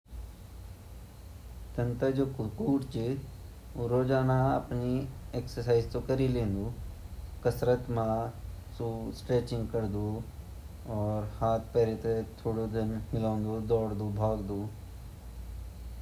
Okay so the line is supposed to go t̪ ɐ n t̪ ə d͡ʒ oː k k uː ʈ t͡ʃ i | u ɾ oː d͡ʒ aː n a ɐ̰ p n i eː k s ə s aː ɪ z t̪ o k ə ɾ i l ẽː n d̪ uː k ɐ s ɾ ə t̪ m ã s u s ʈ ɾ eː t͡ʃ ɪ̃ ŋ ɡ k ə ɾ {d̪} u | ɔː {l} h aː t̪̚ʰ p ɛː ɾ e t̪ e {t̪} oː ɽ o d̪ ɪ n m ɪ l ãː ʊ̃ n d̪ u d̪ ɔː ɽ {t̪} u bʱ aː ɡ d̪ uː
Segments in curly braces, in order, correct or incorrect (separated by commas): correct, incorrect, incorrect, incorrect